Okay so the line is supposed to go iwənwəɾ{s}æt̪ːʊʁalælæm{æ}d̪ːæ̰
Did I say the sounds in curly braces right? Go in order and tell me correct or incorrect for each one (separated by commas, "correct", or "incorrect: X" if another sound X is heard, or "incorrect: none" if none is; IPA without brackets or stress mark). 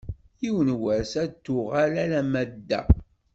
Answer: correct, correct